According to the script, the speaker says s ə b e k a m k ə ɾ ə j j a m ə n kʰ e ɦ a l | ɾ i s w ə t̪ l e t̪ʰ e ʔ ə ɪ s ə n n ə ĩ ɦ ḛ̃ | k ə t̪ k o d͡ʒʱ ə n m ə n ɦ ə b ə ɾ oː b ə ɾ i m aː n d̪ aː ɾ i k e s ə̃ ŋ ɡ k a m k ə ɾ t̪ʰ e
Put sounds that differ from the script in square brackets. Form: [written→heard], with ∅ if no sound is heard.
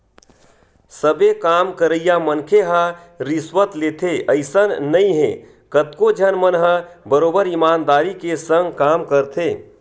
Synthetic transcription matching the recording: s ə b e k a m k ə ɾ ə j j a m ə n kʰ e ɦ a [l→∅] | ɾ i s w ə t̪ l e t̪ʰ e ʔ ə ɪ s ə n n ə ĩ ɦ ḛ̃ | k ə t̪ k o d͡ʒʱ ə n m ə n ɦ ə b ə ɾ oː b ə ɾ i m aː n d̪ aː ɾ i k e s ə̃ ŋ ɡ k a m k ə ɾ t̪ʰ e

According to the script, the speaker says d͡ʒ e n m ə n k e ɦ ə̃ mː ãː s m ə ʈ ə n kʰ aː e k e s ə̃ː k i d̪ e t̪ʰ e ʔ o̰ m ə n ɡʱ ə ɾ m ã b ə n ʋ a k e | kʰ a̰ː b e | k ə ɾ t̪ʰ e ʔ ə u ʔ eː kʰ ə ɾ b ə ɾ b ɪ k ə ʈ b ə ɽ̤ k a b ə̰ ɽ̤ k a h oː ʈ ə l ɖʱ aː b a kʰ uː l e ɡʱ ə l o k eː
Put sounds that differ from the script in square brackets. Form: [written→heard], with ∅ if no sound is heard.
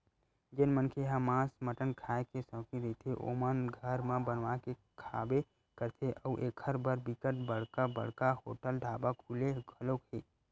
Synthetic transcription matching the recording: d͡ʒ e n m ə n [k→kʰ] e ɦ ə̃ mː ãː s m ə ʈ ə n kʰ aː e k e s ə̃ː k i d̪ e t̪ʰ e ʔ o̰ m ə n ɡʱ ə ɾ m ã b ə n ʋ a k e | kʰ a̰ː b e | k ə ɾ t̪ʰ e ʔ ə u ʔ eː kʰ ə ɾ b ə ɾ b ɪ k ə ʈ b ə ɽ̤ k a b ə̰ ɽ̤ k a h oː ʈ ə l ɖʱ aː b a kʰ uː l e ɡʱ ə l o k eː

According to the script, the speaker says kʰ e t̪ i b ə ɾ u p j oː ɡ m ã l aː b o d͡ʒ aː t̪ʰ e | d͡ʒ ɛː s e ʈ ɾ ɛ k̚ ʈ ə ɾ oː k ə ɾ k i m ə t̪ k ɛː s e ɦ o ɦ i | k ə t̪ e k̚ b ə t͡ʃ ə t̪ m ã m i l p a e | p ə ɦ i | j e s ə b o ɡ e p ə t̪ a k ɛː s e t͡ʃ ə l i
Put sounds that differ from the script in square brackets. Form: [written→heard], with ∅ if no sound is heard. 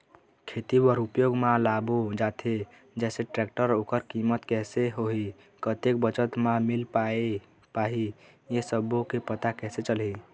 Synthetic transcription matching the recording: kʰ e t̪ i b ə ɾ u p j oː ɡ m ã l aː b o d͡ʒ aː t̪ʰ e | d͡ʒ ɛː s e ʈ ɾ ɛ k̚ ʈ ə ɾ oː k ə ɾ k i m ə t̪ k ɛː s e ɦ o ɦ i | k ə t̪ e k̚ b ə t͡ʃ ə t̪ m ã m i l p a e | p [ə→a] ɦ i | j e s ə b o [ɡ→k] e p ə t̪ a k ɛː s e t͡ʃ ə l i

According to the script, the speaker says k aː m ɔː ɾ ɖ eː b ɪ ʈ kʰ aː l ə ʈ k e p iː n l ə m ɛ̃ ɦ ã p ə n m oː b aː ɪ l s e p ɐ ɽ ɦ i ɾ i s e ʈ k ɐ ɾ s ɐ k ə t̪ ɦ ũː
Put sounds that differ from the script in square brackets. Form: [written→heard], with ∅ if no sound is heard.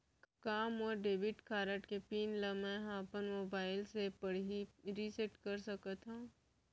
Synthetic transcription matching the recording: k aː m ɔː ɾ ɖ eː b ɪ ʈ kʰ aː [l→ɾ] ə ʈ k e p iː n l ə m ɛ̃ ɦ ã p ə n m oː b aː ɪ l s e p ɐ ɽ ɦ i ɾ i s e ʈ k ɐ ɾ s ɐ k ə t̪ ɦ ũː

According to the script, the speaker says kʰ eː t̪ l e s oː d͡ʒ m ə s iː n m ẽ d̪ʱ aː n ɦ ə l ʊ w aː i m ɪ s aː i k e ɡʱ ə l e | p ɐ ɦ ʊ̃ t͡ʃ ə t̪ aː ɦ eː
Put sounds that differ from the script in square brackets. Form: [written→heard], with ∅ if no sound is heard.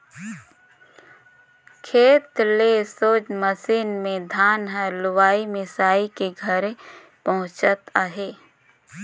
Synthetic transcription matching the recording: kʰ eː t̪ l e s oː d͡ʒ m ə s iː n m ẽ d̪ʱ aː n ɦ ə l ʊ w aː i m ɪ s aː i k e ɡʱ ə [l→ɾ] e | p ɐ ɦ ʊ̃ t͡ʃ ə t̪ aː ɦ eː

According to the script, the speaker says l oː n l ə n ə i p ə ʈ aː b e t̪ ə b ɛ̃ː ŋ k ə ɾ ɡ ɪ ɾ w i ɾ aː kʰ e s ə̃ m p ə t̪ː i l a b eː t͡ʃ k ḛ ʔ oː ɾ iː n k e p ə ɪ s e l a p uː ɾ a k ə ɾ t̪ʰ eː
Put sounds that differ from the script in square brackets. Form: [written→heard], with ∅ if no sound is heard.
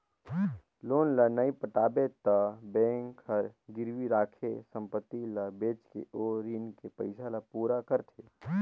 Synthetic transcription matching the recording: l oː n l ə n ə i p ə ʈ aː b e t̪ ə b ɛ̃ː ŋ k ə ɾ ɡ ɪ ɾ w i ɾ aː kʰ e s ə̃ m p ə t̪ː i l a b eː t͡ʃ k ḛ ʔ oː ɾ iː n k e p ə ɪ s [e→a] l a p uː ɾ a k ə ɾ t̪ʰ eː

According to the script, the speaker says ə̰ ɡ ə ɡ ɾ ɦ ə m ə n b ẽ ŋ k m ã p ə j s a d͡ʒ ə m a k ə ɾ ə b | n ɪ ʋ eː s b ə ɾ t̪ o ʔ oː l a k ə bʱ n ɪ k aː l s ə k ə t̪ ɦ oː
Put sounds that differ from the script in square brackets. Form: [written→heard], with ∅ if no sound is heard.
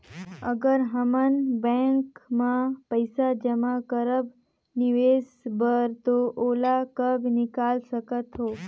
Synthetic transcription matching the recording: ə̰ ɡ ə [ɡ→∅] ɾ ɦ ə m ə n b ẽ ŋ k m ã p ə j s a d͡ʒ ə m a k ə ɾ ə b | n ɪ ʋ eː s b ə ɾ t̪ o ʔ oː l a k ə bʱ n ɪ k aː l s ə k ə t̪ ɦ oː

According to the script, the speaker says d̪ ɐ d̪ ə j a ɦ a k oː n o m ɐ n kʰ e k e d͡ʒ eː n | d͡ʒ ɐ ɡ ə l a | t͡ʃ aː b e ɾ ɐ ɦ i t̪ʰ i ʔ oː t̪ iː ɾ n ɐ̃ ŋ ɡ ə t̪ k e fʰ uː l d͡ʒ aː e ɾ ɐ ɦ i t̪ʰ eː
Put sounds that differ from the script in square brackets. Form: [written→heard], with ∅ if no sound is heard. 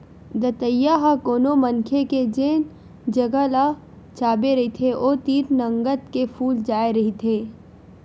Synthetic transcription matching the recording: d̪ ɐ [d̪→t̪] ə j a ɦ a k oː n o m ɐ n kʰ e k e d͡ʒ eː n | d͡ʒ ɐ ɡ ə l a | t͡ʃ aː b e ɾ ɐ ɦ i t̪ʰ [i→e] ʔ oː t̪ iː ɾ n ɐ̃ ŋ ɡ ə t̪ k e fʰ uː l d͡ʒ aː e ɾ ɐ ɦ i t̪ʰ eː

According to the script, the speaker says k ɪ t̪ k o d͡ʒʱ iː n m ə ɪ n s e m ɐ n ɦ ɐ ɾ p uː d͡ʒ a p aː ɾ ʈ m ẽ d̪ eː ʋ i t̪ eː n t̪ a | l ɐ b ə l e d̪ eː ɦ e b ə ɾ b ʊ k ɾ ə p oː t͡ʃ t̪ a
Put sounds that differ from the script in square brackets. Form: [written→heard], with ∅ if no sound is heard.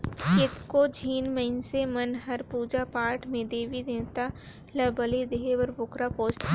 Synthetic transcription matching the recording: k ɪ t̪ k o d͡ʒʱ iː n m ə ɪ n s e m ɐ n ɦ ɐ ɾ p uː d͡ʒ a p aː ɾ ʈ m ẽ d̪ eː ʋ i [t̪→d̪] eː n t̪ a | l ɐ b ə l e d̪ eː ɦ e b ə ɾ b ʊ k ɾ [ə→a] p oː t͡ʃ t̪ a

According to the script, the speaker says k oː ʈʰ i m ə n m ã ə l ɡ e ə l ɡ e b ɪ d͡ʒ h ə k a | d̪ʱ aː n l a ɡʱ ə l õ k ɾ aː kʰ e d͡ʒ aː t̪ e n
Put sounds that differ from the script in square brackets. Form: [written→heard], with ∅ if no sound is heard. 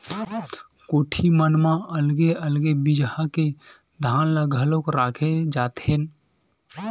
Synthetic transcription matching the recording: k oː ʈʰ i m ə n m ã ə l ɡ e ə l ɡ e b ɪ d͡ʒ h [ə→a] k [a→e] | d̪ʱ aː n l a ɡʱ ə l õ k ɾ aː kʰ e d͡ʒ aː t̪ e n

